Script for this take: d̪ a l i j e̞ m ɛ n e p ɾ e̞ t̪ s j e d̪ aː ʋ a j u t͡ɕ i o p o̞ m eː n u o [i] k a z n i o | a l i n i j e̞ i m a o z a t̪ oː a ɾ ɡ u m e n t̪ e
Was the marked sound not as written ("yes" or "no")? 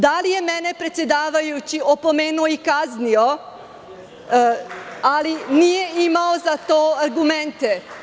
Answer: no